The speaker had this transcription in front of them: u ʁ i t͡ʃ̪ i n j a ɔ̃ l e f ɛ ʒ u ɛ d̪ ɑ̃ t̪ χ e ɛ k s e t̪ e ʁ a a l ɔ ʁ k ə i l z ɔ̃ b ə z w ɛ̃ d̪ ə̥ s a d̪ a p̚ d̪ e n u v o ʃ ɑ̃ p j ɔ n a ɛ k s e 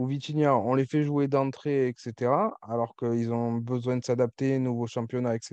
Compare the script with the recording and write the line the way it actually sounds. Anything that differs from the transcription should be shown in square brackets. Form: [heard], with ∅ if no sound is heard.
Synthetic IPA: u [v] i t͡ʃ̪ i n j a ɔ̃ l e f ɛ ʒ u [e] d̪ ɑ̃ t̪ χ e ɛ k s e t̪ e ʁ a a l ɔ ʁ k ə i l z ɔ̃ b ə z w ɛ̃ d̪ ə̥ s a d̪ a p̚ [t̪] e n u v o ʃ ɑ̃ p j ɔ n a ɛ k s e